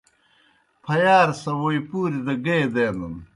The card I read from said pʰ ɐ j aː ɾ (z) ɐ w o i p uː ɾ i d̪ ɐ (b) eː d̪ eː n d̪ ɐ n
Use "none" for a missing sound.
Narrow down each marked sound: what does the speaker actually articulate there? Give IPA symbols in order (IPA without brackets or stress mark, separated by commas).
s, ɡ